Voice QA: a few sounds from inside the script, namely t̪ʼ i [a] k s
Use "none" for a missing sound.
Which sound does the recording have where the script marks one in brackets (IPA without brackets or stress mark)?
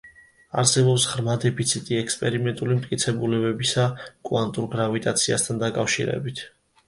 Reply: ɛ